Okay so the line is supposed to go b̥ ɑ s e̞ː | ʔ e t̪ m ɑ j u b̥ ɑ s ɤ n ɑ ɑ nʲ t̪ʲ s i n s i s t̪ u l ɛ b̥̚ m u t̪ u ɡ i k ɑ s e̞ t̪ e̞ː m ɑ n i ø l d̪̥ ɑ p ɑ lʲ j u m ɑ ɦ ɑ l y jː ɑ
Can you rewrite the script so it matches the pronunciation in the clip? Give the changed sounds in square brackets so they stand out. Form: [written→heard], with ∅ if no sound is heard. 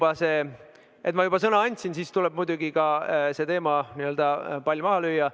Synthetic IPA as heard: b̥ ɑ s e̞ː | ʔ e t̪ m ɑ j u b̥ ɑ s ɤ n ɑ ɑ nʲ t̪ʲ s i n s i s t̪ u l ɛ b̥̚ m u [t̪→d̪] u ɡ i k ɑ s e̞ t̪ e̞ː m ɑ n i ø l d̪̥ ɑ p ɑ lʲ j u m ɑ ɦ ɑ l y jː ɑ